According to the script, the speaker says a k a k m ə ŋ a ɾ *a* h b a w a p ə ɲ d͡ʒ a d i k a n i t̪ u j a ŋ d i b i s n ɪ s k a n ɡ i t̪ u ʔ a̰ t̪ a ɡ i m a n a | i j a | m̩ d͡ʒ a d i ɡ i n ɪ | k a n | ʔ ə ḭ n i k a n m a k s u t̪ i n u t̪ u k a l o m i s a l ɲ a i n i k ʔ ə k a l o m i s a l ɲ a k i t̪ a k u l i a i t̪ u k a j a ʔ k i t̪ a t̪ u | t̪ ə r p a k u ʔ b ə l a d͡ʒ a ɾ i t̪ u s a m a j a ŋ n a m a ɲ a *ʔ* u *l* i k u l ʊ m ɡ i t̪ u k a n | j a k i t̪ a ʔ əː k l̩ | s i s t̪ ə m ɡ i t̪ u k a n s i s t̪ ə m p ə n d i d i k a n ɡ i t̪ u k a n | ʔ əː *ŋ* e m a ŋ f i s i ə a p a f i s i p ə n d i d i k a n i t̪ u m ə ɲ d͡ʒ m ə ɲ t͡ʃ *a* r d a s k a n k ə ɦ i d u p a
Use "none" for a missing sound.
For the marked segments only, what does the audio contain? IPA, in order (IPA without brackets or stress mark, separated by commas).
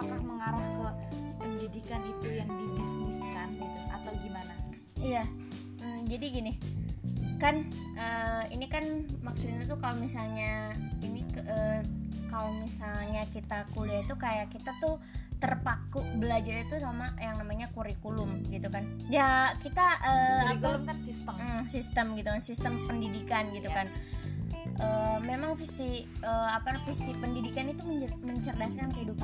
a, k, ɾ, m, ə